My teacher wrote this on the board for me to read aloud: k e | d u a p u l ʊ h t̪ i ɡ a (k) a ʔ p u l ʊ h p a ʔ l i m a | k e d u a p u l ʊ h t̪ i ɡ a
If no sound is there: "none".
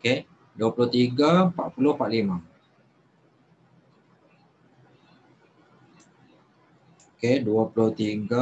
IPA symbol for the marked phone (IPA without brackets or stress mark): p